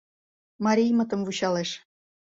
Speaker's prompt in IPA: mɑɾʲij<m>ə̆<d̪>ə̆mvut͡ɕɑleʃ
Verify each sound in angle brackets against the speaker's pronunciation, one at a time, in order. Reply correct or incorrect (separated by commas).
correct, incorrect